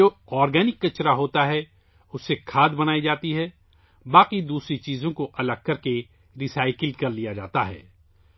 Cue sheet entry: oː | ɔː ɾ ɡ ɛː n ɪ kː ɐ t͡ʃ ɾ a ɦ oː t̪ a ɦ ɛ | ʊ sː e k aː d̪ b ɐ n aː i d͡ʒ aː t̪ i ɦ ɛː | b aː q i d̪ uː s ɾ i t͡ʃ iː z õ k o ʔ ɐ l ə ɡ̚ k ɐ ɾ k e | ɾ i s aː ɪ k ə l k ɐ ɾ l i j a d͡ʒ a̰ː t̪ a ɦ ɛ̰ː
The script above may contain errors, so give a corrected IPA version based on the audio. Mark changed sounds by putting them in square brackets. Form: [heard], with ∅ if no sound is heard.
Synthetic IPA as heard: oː | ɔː ɾ ɡ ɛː n ɪ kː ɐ t͡ʃ ɾ a ɦ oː t̪ a ɦ ɛ | ʊ sː e [kʰ] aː d̪ b ɐ n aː i d͡ʒ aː t̪ i ɦ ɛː | b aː q i d̪ uː s ɾ i t͡ʃ iː z õ k o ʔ ɐ l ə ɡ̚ k ɐ ɾ k e | ɾ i s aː ɪ k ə l k ɐ ɾ l i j a d͡ʒ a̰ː t̪ a ɦ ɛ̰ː